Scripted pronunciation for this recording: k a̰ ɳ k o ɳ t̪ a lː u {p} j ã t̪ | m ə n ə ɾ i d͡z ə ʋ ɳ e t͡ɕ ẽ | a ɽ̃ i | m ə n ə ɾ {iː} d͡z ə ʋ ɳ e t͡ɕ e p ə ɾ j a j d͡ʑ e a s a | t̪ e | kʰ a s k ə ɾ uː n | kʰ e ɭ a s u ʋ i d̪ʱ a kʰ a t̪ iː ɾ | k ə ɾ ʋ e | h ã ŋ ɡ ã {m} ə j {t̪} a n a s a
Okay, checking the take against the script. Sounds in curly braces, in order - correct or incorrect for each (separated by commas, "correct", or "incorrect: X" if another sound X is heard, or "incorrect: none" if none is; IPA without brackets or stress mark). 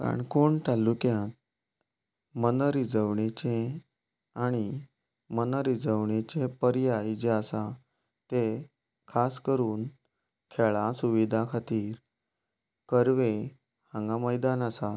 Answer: incorrect: k, incorrect: i, correct, incorrect: d̪